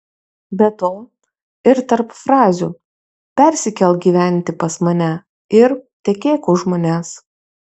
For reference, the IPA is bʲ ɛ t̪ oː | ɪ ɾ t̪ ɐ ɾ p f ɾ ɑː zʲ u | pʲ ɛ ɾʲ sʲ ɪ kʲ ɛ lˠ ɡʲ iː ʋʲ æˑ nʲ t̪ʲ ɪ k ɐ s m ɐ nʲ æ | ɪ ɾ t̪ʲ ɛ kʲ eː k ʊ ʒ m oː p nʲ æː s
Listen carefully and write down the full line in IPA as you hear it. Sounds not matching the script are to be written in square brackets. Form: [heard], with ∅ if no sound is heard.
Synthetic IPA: bʲ ɛ t̪ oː | ɪ ɾ t̪ ɐ ɾ p f ɾ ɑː zʲ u | pʲ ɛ ɾʲ sʲ ɪ kʲ ɛ lˠ ɡʲ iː ʋʲ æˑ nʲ t̪ʲ ɪ [p] ɐ s m ɐ nʲ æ | ɪ ɾ t̪ʲ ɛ kʲ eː k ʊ ʒ m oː [∅] nʲ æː s

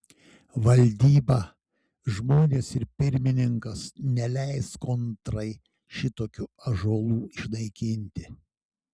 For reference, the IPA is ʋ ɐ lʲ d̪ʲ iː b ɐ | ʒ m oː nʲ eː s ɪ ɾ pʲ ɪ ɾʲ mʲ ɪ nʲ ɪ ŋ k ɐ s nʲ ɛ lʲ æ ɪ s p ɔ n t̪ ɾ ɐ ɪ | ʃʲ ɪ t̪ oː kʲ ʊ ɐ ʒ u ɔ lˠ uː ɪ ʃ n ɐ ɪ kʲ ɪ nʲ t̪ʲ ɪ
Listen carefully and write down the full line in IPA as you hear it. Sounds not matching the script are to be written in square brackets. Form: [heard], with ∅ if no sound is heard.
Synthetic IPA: ʋ ɐ lʲ d̪ʲ iː b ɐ | ʒ m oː nʲ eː s ɪ ɾ pʲ ɪ ɾʲ mʲ ɪ nʲ ɪ ŋ k ɐ s nʲ ɛ lʲ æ ɪ s [k] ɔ n t̪ ɾ ɐ ɪ | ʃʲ ɪ t̪ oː kʲ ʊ ɐ ʒ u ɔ lˠ uː ɪ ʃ n ɐ ɪ kʲ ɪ nʲ t̪ʲ ɪ

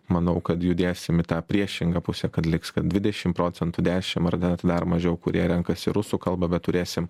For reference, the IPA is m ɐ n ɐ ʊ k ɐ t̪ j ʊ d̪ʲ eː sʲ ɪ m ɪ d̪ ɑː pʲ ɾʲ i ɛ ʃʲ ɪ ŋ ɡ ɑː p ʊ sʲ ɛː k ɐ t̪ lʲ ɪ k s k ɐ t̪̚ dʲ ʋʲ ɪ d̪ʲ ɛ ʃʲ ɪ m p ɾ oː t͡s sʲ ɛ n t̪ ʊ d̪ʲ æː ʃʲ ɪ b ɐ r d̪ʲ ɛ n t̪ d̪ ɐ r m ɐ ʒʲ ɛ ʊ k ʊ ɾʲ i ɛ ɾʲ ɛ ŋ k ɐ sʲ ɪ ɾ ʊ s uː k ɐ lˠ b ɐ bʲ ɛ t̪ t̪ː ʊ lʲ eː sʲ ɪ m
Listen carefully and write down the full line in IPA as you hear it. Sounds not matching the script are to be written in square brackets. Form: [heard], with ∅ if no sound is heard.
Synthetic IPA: m ɐ n ɐ ʊ k ɐ t̪ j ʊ d̪ʲ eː sʲ ɪ m ɪ [t̪] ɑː pʲ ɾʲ i ɛ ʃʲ ɪ ŋ ɡ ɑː p ʊ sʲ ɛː k ɐ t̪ lʲ ɪ k s k ɐ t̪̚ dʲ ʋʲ ɪ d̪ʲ ɛ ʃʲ ɪ m p ɾ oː t͡s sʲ ɛ n t̪ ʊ d̪ʲ æː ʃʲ ɪ [m] ɐ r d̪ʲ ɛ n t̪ d̪ ɐ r m ɐ ʒʲ ɛ ʊ k ʊ ɾʲ i ɛ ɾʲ ɛ ŋ k ɐ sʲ ɪ ɾ ʊ s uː k ɐ lˠ b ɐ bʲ ɛ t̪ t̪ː ʊ [ɾʲ] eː sʲ ɪ m

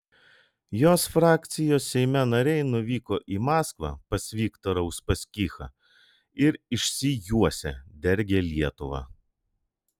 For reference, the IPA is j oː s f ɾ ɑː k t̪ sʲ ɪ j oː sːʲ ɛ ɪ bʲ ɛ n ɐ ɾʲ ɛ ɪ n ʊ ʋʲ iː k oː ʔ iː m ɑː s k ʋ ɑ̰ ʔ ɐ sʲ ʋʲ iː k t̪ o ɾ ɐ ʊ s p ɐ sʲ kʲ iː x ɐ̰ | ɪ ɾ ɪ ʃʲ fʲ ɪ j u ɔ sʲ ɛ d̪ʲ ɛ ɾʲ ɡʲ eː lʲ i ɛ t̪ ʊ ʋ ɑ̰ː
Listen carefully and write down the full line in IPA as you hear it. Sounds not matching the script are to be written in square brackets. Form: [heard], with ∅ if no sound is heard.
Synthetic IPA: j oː s f ɾ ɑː k t̪ sʲ ɪ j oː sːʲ ɛ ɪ [mʲ] ɛ n ɐ ɾʲ ɛ ɪ n ʊ ʋʲ iː k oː ʔ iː m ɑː s k ʋ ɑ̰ [p] ɐ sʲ ʋʲ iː k t̪ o ɾ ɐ ʊ s p ɐ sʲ kʲ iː x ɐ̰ | ɪ ɾ ɪ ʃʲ [sʲ] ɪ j u ɔ sʲ ɛ d̪ʲ ɛ ɾʲ ɡʲ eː lʲ i ɛ t̪ ʊ ʋ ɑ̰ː

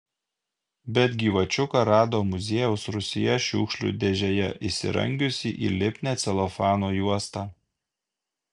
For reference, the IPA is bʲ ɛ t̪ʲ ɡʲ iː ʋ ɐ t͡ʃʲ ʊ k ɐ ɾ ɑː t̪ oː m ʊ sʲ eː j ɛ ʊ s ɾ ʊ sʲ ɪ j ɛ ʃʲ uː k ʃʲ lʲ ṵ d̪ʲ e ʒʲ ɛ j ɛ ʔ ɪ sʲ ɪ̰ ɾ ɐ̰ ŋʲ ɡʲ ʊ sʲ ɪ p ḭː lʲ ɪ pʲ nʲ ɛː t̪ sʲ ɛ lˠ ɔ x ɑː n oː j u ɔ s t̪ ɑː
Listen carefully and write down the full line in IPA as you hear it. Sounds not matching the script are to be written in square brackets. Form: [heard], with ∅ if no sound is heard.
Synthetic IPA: bʲ ɛ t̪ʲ ɡʲ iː ʋ ɐ t͡ʃʲ ʊ k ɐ ɾ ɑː [d̪] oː m ʊ [zʲ] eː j ɛ ʊ s ɾ ʊ sʲ ɪ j ɛ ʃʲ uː k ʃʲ lʲ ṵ d̪ʲ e ʒʲ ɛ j ɛ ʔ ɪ sʲ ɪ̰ ɾ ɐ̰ ŋʲ ɡʲ ʊ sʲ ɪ [ʔ] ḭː lʲ ɪ pʲ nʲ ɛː t̪ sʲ ɛ lˠ ɔ [f] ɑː n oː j u ɔ s t̪ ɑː

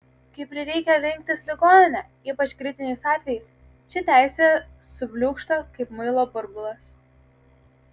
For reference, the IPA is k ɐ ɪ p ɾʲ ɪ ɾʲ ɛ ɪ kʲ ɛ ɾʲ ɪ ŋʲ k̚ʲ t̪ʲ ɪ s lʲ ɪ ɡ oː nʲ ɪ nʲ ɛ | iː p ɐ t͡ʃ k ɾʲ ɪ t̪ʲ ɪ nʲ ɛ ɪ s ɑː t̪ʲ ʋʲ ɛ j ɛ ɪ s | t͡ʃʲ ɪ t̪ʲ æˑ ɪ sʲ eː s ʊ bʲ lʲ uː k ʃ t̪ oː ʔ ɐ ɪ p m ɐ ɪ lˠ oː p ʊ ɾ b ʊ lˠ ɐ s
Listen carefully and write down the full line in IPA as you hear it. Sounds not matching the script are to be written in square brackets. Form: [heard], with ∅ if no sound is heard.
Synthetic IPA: k ɐ ɪ p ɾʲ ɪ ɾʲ ɛ ɪ kʲ ɛ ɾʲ ɪ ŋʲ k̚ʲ t̪ʲ ɪ s lʲ ɪ ɡ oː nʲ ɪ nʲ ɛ | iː p ɐ t͡ʃ k ɾʲ ɪ t̪ʲ ɪ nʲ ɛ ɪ s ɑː t̪ʲ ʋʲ ɛ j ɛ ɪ s | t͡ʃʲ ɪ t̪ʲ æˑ ɪ sʲ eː s ʊ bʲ lʲ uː k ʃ t̪ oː [k] ɐ ɪ p m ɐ ɪ lˠ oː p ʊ ɾ b ʊ lˠ ɐ s

